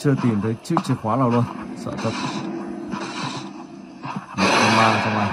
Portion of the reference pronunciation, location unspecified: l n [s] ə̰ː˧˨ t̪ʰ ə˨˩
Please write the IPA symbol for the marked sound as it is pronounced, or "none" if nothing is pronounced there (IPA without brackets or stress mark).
s